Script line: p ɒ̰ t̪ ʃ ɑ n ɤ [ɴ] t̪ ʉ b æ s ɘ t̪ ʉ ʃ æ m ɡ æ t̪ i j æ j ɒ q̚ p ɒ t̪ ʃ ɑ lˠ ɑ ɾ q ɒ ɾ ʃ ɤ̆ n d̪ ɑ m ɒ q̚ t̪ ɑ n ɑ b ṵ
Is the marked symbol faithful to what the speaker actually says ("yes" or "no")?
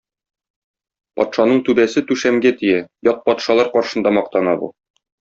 yes